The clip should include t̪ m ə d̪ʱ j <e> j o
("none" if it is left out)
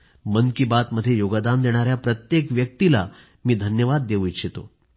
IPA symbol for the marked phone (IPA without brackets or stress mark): e